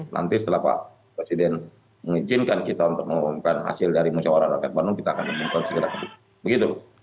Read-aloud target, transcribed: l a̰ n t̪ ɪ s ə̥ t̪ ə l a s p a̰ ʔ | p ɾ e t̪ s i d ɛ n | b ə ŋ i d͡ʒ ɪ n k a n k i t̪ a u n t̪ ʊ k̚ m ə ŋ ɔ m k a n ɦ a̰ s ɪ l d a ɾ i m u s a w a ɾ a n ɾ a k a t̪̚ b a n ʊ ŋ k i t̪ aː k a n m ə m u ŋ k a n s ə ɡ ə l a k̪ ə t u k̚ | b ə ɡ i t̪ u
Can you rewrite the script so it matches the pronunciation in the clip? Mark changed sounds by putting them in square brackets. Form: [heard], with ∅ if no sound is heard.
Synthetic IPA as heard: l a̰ n t̪ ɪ s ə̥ t̪ ə l a [h] p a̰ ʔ | p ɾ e [∅] s i d ɛ n | [m] ə ŋ i d͡ʒ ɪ n k a n k i t̪ a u n t̪ ʊ k̚ m ə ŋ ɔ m k a n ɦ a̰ s ɪ l d a ɾ i m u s a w a ɾ a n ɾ a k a t̪̚ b a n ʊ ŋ k i t̪ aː k a n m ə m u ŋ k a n s ə ɡ ə [ɾ] a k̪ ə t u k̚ | b ə ɡ i t̪ u